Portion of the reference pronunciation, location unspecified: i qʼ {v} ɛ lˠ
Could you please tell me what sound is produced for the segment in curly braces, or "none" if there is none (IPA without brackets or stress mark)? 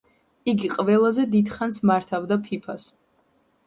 v